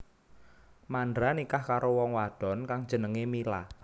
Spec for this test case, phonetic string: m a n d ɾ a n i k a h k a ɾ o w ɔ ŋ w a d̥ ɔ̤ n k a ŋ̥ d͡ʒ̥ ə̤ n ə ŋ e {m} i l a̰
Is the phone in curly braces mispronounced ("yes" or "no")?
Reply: no